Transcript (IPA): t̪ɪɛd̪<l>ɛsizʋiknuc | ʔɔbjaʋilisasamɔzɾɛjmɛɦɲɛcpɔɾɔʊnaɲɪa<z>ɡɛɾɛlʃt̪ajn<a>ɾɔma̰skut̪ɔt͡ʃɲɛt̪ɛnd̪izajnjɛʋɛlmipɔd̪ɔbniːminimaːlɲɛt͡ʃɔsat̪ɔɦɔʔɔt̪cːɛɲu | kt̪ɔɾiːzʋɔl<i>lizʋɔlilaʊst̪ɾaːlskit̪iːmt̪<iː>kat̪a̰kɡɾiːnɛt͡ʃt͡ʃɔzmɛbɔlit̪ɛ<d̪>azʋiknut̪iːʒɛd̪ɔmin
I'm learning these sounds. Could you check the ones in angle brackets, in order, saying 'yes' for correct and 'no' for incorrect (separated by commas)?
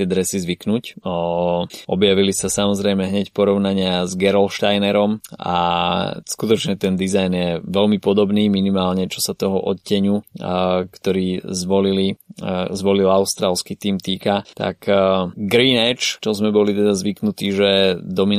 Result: no, yes, no, yes, yes, yes